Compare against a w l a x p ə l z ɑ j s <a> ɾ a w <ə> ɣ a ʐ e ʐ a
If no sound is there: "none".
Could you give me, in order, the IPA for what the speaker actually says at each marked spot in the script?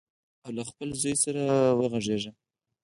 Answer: a, ə

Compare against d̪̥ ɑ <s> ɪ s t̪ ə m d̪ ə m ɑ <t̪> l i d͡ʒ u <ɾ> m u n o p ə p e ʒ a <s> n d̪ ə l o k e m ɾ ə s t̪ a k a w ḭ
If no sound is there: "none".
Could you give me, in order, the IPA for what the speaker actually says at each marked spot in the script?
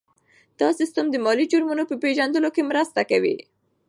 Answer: s, none, ɾ, none

